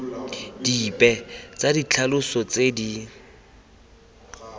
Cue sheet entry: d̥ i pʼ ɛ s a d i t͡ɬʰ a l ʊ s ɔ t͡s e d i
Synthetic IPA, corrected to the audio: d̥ i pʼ ɛ t͡s a d i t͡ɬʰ a l ʊ s ɔ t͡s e d i